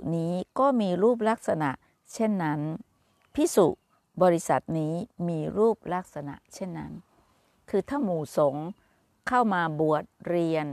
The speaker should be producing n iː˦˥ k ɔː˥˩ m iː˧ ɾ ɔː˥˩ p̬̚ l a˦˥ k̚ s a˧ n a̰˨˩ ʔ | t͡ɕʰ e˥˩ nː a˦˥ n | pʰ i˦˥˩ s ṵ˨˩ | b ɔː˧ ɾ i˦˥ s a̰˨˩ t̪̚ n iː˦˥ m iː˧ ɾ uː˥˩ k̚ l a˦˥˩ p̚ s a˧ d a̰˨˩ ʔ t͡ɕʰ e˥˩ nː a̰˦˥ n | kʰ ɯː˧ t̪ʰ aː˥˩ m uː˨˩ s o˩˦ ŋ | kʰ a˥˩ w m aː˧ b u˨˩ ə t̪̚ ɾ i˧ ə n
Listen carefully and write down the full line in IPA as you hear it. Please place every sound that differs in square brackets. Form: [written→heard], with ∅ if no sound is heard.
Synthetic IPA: n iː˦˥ k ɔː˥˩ m iː˧ ɾ [ɔː˥˩→uː˥˩] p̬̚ l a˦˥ k̚ s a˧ n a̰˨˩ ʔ | t͡ɕʰ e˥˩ nː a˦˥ n | pʰ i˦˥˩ s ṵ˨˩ | b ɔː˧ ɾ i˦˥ s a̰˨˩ t̪̚ n iː˦˥ m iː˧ ɾ uː˥˩ [k̚→p̚] l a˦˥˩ [p̚→k̚] s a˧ [d→n] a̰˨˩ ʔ t͡ɕʰ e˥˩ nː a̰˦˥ n | kʰ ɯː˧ t̪ʰ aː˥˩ m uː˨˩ s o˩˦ ŋ | kʰ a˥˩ w m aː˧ b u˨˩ ə t̪̚ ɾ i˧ ə n

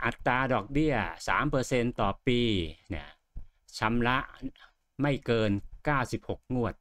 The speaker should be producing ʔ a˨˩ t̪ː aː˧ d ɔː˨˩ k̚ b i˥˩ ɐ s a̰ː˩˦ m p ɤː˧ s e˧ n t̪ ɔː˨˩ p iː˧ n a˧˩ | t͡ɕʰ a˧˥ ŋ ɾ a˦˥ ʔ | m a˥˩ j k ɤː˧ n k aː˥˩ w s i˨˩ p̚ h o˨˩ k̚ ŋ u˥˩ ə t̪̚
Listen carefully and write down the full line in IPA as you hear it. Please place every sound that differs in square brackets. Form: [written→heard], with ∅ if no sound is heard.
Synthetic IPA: ʔ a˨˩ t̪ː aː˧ d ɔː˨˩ k̚ b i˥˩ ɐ s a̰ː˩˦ m p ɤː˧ s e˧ n t̪ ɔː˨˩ p iː˧ n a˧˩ | t͡ɕʰ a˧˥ [ŋ→m] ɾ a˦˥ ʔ | m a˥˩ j k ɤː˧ n k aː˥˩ w s i˨˩ p̚ h o˨˩ k̚ ŋ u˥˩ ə t̪̚

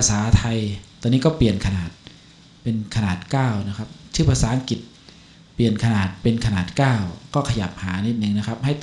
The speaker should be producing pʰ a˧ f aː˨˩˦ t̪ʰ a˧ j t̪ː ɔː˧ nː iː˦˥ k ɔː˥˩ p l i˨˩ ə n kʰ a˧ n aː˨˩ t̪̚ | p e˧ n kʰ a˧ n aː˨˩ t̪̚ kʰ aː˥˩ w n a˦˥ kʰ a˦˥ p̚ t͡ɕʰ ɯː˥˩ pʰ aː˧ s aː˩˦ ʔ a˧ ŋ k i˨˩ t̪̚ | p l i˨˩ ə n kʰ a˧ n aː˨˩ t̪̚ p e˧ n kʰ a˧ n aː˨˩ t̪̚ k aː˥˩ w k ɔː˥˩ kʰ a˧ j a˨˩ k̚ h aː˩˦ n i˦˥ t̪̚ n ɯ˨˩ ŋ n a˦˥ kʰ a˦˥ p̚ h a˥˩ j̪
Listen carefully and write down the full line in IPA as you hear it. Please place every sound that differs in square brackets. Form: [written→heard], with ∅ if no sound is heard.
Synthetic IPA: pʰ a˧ [f→s] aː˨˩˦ t̪ʰ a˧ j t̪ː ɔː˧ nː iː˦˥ k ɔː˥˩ p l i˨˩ ə n kʰ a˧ n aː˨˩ t̪̚ | p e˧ n kʰ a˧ n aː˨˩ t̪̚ [kʰ→k] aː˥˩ w n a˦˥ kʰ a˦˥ p̚ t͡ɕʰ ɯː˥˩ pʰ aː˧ s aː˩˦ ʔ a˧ ŋ k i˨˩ t̪̚ | p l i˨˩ ə n kʰ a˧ n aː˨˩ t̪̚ p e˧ n kʰ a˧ n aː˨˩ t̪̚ k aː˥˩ w k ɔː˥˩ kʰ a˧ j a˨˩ [k̚→p̚] h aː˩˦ n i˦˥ t̪̚ n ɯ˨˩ ŋ n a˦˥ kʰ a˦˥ p̚ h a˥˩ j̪

